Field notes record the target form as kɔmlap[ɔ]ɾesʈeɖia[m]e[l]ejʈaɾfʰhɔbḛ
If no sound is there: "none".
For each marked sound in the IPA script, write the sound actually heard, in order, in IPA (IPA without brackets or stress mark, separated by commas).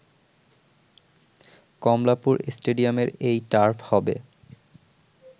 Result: u, m, ɾ